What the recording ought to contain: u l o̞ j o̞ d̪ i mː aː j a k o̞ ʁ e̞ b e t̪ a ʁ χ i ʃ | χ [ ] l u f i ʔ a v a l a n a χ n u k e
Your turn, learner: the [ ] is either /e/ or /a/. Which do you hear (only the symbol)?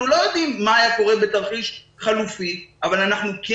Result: a